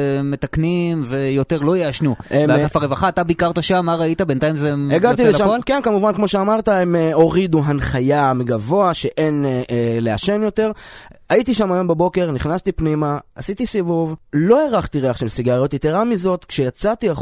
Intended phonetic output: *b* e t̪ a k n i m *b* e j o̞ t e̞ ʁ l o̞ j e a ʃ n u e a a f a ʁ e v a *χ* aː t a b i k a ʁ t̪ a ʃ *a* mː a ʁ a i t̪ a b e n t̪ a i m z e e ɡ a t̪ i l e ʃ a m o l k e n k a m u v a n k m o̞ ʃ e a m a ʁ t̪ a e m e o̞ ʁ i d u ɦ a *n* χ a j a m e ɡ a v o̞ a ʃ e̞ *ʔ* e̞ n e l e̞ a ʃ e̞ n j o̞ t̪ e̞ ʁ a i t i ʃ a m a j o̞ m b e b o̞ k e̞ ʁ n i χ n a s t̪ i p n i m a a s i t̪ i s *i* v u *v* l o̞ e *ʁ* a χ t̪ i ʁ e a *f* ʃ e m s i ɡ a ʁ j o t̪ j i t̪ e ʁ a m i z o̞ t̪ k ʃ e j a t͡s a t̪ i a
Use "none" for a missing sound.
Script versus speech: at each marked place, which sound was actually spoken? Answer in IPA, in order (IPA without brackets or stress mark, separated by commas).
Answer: m, v, χ, a, n, ʔ, i, v, ʁ, χ